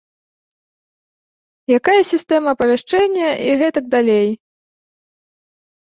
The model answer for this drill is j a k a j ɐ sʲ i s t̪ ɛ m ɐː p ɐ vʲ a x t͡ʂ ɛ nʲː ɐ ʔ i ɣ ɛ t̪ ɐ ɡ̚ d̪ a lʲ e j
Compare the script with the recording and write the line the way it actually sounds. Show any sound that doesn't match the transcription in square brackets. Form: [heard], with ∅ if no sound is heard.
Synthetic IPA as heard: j a k a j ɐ sʲ i s t̪ ɛ m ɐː p ɐ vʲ a [ʂ] t͡ʂ ɛ nʲː ɐ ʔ i ɣ ɛ t̪ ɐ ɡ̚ d̪ a lʲ e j